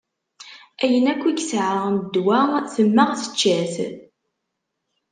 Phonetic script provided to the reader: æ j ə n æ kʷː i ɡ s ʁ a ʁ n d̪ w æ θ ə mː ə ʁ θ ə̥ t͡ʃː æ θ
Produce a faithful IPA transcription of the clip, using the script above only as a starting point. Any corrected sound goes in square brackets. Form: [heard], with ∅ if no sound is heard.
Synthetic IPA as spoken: æ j ə n æ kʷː i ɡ s [ʕ] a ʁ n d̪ w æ θ ə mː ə ʁ θ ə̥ t͡ʃː æ θ